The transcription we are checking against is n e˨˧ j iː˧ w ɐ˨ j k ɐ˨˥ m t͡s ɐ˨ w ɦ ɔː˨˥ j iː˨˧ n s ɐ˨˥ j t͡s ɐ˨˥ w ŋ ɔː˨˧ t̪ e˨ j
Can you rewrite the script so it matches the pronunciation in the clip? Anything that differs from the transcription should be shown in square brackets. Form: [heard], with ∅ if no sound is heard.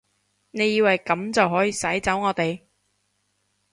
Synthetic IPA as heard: n e˨˧ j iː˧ w ɐ˨ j k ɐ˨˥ m t͡s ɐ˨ w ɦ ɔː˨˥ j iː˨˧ [∅] s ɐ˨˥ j t͡s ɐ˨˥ w ŋ ɔː˨˧ t̪ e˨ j